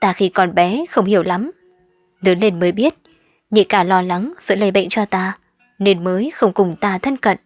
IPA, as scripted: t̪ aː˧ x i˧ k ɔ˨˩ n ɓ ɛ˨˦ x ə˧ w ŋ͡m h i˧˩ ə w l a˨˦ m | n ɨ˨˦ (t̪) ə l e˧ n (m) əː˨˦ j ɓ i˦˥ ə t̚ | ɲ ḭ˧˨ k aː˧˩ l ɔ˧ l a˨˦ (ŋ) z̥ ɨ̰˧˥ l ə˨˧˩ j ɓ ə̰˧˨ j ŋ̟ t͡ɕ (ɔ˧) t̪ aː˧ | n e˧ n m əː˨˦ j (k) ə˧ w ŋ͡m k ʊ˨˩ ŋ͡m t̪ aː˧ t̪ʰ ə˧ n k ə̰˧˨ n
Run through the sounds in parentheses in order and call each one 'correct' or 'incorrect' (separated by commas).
incorrect, correct, correct, correct, incorrect